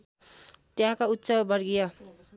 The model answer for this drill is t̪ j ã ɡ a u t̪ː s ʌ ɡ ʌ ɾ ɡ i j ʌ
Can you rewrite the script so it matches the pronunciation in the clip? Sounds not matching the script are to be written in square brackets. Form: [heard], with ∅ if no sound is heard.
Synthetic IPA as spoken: t̪ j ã [k] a u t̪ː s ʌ [b] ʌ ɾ ɡ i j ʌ